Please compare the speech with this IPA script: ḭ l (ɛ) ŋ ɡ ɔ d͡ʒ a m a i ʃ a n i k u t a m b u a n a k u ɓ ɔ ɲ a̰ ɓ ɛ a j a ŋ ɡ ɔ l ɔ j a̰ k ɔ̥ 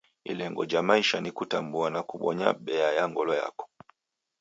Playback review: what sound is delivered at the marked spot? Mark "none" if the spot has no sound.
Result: ɛ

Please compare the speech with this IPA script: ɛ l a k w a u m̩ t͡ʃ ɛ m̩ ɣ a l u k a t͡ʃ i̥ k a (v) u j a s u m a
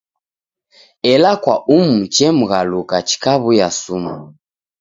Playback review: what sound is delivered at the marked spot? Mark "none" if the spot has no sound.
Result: β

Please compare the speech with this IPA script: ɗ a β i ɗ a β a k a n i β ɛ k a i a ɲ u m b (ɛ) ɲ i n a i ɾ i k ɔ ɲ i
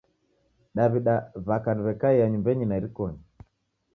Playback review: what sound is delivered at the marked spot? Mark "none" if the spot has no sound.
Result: ɛ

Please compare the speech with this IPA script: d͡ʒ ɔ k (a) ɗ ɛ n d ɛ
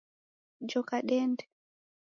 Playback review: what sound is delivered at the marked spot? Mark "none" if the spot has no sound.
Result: a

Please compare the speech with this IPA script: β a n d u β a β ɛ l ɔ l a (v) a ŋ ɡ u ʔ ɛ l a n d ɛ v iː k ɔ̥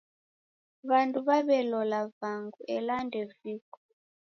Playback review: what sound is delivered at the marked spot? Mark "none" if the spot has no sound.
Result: v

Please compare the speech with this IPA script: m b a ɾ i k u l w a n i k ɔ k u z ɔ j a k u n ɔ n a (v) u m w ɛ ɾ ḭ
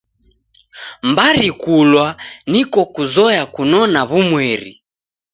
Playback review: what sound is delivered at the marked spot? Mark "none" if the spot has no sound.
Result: β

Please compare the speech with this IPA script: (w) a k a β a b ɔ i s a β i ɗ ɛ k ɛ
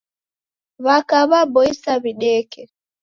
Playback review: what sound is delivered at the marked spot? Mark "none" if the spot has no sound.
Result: β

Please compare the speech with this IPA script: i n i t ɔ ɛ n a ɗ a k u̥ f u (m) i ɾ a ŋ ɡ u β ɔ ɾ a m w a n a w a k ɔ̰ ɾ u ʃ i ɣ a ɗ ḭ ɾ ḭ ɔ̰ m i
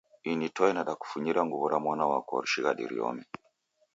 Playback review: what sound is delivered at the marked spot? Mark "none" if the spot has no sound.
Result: ɲ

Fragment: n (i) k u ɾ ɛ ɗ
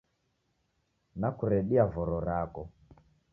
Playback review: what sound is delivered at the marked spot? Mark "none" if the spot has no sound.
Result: a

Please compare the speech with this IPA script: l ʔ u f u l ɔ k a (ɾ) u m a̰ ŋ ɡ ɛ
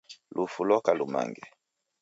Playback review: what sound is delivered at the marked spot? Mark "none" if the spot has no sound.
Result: l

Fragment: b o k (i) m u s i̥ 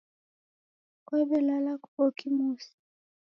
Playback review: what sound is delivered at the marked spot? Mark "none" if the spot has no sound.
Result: i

